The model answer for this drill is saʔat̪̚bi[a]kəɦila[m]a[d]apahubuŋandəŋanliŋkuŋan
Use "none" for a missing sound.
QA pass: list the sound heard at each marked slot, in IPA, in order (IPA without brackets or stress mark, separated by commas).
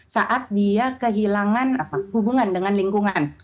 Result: a, ŋ, n